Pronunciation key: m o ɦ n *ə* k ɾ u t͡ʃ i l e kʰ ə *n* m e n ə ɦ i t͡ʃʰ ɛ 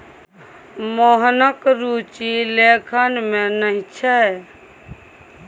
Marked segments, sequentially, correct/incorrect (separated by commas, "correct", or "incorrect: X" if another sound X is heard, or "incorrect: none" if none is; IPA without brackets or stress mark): correct, correct